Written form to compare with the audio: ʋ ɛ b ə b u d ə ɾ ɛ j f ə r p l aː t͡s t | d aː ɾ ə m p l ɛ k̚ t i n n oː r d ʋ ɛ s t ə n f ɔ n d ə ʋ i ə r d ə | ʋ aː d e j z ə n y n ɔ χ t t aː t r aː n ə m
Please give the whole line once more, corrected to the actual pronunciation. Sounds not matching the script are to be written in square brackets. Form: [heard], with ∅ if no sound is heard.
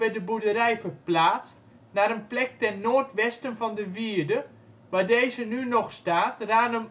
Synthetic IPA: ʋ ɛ [d] ə b u d ə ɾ ɛ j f ə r p l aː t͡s t | [n] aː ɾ ə [n] p l ɛ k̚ t [ɛ] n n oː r [t] ʋ ɛ s t ə n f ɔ n d ə ʋ i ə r d ə | ʋ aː d e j z ə n y n ɔ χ [s] t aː t r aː n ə m